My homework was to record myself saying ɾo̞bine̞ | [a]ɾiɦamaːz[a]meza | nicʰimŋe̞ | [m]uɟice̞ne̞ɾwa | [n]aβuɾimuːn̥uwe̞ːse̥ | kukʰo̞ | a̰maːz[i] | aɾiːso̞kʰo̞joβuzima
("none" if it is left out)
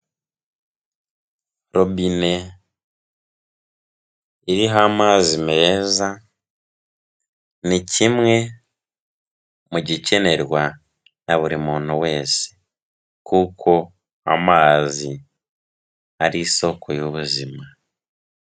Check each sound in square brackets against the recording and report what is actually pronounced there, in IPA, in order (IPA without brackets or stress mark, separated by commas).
i, i, m, n, i